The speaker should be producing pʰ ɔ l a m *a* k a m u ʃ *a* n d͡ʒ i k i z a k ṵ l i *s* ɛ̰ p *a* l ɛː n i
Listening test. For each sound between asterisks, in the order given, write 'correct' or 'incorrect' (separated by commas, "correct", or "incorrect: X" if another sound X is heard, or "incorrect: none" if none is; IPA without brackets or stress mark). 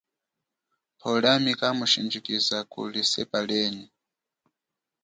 incorrect: i, incorrect: i, correct, correct